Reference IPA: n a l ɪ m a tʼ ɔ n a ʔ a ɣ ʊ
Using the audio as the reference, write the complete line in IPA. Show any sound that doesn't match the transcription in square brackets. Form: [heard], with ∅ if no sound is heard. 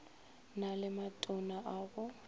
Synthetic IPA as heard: n a l ɪ m a tʼ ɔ n a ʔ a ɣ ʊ